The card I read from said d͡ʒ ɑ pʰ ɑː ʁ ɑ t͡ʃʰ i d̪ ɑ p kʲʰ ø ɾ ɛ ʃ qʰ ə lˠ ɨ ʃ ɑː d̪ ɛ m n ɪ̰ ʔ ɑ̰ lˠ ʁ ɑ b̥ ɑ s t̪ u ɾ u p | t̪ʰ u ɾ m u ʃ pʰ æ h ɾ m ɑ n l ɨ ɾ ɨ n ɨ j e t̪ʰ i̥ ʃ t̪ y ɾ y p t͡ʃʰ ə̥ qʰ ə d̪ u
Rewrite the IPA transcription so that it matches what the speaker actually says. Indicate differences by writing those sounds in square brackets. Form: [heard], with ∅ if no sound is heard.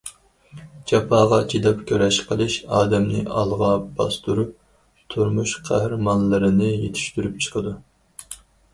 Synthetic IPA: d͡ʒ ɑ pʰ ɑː ʁ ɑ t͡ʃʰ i d̪ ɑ p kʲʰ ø ɾ ɛ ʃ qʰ ə lˠ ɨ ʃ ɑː d̪ ɛ m n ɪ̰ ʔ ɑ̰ lˠ ʁ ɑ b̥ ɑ s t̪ u ɾ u p | t̪ʰ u ɾ m u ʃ [qʰ] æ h ɾ m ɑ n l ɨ ɾ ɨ n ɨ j e t̪ʰ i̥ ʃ t̪ y ɾ y p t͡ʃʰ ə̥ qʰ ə d̪ u